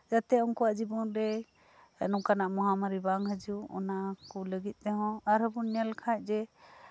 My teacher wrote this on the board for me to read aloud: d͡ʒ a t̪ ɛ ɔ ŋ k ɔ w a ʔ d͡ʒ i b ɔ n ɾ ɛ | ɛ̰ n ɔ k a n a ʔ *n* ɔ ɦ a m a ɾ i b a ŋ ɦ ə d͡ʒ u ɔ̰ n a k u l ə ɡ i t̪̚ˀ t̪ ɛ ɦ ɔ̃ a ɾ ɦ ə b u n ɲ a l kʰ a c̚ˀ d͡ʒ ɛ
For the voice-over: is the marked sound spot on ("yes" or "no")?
no